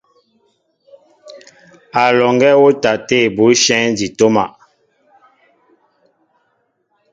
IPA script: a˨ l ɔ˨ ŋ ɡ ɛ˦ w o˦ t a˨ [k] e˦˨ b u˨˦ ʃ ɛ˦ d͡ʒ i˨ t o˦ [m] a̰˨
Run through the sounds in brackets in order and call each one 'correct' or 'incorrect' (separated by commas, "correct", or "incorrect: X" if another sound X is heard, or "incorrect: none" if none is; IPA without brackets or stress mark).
incorrect: t, correct